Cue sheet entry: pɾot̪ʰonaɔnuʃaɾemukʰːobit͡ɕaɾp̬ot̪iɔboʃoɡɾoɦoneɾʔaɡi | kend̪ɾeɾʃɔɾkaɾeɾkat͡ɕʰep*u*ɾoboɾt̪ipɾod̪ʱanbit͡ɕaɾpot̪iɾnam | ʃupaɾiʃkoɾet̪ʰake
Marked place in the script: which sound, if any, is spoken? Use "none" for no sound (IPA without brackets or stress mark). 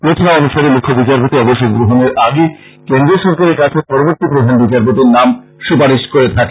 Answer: ɔ